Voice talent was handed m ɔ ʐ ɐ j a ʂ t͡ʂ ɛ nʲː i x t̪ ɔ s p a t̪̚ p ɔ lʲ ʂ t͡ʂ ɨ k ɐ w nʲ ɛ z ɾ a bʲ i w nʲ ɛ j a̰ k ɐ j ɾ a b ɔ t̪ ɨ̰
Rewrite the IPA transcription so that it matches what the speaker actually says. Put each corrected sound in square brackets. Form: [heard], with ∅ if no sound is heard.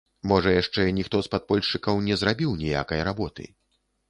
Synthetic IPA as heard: m ɔ ʐ ɐ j a ʂ t͡ʂ ɛ [nʲ] i x t̪ ɔ s p a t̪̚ p ɔ lʲ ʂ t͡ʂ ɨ k ɐ w nʲ ɛ z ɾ a bʲ i w nʲ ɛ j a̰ k ɐ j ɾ a b ɔ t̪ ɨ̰